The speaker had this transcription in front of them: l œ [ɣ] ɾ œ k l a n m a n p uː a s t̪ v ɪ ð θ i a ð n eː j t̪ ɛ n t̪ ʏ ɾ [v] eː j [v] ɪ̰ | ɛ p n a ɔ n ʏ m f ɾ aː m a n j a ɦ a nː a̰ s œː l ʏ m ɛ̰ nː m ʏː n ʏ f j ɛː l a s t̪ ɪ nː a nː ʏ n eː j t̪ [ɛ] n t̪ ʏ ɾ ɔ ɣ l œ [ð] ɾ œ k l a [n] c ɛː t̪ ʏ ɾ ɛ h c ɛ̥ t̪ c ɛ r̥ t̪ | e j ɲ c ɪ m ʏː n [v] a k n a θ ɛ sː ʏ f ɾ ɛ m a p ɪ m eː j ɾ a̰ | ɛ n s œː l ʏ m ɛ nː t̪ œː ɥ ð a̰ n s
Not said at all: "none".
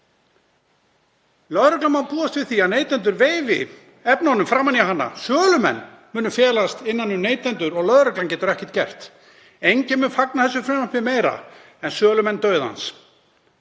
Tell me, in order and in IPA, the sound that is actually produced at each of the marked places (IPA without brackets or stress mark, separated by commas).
ð, v, v, ɛ, ð, n, f